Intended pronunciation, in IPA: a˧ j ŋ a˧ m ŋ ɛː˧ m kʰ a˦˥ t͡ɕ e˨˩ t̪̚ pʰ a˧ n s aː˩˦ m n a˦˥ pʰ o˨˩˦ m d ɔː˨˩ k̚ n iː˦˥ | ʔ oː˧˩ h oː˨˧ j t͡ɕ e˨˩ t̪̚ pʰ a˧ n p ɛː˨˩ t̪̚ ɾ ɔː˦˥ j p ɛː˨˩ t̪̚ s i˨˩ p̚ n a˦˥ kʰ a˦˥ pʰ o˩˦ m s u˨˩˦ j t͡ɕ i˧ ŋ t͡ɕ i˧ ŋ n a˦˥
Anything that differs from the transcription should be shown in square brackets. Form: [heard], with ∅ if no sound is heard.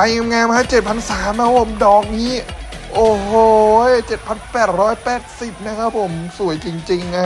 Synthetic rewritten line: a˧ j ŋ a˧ m ŋ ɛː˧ m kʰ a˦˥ t͡ɕ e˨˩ t̪̚ pʰ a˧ n s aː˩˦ m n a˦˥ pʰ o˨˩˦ m d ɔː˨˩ k̚ n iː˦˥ | ʔ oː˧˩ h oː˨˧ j t͡ɕ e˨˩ t̪̚ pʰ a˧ n p ɛː˨˩ t̪̚ ɾ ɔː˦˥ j p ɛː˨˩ t̪̚ s i˨˩ p̚ n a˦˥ kʰ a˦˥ pʰ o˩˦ m s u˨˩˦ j t͡ɕ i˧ ŋ t͡ɕ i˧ ŋ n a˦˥